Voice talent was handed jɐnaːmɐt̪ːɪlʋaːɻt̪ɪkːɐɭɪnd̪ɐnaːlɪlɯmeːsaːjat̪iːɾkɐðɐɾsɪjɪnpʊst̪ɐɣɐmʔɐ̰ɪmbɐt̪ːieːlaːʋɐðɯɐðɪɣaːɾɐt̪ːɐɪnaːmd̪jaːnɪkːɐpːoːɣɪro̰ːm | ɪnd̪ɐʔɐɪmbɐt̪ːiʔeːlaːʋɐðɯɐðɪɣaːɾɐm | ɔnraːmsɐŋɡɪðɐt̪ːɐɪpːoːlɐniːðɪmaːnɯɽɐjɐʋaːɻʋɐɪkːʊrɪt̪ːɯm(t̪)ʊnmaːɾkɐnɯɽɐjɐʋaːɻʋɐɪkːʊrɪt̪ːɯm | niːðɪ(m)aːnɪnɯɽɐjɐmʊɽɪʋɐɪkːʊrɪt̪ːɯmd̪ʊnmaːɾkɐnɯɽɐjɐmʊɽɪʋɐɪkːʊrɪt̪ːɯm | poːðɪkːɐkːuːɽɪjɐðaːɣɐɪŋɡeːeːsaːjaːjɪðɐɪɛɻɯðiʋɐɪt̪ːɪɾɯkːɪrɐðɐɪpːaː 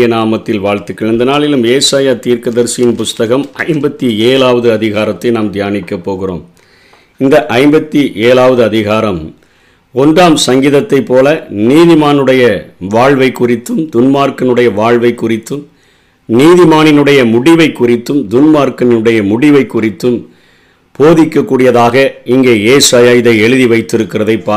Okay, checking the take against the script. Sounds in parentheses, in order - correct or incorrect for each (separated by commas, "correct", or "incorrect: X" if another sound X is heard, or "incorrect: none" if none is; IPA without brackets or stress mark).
incorrect: d̪, correct